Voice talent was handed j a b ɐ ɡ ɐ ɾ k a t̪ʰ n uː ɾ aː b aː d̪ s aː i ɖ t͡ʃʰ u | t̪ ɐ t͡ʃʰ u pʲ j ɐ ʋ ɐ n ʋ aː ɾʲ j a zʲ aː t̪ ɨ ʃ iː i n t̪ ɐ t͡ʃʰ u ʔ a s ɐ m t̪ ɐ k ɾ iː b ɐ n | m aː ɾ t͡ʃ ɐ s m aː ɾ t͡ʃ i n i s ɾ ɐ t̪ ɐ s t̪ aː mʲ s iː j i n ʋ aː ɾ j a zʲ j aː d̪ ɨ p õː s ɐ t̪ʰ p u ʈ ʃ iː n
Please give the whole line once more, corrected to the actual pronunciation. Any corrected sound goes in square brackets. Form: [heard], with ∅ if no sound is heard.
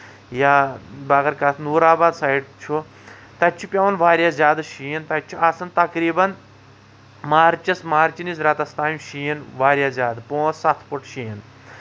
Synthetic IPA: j a b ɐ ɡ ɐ ɾ k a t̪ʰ n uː ɾ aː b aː d̪ s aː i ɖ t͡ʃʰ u | t̪ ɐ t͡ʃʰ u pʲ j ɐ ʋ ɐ n ʋ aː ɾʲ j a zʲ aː [d̪] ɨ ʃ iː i n t̪ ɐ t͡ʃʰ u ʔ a s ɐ [n] t̪ ɐ k ɾ iː b ɐ n | m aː ɾ t͡ʃ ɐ s m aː ɾ t͡ʃ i n i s ɾ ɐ t̪ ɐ s t̪ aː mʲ [ʃ] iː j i n ʋ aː ɾ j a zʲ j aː d̪ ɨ p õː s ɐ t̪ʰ p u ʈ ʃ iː n